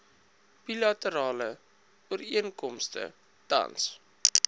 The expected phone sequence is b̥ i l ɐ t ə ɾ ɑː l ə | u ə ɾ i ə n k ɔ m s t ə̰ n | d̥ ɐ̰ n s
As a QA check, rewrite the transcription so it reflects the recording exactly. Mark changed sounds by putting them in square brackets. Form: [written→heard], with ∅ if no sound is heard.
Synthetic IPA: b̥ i l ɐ t ə ɾ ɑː l ə | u ə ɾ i ə n k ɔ m s t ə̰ [n→∅] | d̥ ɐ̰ n s